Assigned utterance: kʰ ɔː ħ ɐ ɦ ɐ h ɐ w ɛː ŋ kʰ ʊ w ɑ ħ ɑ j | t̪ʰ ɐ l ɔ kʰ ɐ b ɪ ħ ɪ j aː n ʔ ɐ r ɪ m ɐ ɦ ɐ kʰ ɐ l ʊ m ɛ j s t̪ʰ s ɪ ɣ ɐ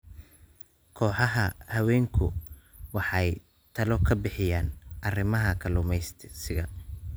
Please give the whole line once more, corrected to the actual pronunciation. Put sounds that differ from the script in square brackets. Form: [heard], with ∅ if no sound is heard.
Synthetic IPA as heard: kʰ ɔː ħ [ɑ] ɦ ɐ h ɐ w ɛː ŋ kʰ ʊ w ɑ ħ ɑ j | t̪ʰ ɐ l ɔ kʰ ɐ b ɪ ħ ɪ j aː n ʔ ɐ r ɪ m ɐ ɦ ɐ kʰ ɐ l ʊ m ɛ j s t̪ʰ s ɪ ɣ ɐ